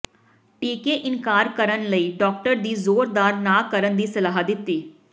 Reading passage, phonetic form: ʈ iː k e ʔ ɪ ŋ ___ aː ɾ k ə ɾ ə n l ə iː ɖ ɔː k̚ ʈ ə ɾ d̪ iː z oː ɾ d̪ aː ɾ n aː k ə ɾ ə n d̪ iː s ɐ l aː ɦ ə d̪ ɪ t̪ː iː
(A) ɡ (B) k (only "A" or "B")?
B